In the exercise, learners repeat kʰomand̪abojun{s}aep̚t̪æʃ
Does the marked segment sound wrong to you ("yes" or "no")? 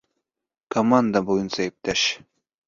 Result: no